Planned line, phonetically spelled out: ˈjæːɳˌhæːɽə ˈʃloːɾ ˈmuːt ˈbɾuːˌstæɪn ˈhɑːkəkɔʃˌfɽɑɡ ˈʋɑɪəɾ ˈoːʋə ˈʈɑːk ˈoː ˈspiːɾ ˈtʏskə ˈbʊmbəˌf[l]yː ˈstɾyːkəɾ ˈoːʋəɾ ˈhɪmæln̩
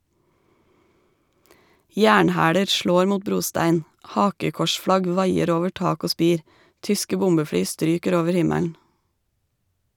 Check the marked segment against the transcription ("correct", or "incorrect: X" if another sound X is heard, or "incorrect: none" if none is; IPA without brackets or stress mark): incorrect: ɽ